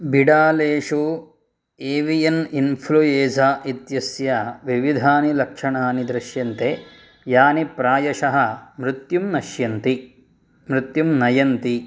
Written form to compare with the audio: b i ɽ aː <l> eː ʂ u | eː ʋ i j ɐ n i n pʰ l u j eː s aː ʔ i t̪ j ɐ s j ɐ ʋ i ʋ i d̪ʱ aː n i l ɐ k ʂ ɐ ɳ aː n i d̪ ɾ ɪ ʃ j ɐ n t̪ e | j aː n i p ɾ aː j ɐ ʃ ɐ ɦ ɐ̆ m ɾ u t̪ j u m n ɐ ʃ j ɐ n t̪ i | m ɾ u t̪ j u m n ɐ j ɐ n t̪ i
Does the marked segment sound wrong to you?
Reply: no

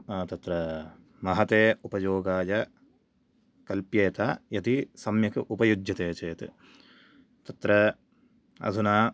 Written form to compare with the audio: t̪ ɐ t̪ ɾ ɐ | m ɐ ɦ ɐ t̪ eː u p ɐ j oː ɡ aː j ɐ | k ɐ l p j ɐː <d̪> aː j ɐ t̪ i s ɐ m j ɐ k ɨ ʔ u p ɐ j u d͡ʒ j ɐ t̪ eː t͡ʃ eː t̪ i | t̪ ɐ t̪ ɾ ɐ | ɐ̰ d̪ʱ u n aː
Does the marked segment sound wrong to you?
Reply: yes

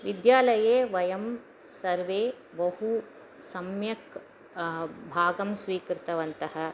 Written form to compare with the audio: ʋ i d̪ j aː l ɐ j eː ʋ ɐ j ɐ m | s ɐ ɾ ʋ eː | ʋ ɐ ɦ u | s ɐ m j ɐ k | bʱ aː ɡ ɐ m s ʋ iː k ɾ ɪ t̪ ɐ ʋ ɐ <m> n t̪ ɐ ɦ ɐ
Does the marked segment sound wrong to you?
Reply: yes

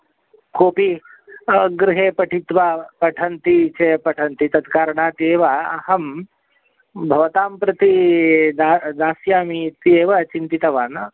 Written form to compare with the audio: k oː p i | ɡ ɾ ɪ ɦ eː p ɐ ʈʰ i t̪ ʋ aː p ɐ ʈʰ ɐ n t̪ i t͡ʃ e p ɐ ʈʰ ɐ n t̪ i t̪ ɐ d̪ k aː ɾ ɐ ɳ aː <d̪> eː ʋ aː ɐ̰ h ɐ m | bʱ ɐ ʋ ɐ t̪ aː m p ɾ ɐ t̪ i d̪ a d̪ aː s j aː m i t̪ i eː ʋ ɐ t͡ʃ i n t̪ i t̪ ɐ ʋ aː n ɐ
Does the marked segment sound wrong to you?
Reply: yes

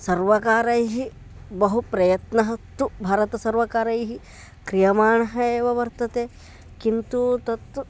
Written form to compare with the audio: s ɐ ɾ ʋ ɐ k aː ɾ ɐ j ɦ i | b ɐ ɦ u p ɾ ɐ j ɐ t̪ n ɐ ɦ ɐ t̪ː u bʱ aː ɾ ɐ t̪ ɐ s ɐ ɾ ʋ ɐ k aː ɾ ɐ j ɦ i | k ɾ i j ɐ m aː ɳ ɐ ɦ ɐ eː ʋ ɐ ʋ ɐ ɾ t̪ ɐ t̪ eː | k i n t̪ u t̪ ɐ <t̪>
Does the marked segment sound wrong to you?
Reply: no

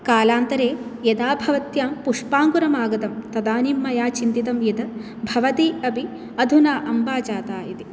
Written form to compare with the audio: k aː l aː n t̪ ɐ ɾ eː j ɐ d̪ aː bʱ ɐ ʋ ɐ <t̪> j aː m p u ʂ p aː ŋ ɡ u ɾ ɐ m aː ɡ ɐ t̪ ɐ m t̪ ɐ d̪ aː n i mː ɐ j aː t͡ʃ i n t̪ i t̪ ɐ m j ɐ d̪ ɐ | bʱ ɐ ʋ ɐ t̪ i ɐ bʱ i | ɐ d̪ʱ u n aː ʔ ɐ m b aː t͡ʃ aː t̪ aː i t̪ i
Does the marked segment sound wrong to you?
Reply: no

